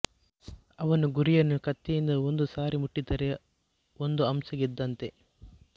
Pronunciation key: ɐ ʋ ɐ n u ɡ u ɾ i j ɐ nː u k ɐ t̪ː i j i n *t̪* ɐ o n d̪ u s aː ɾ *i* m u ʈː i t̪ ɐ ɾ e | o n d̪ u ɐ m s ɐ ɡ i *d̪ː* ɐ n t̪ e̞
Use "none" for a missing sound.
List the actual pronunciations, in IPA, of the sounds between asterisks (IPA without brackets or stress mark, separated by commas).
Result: d̪, i, d̪ː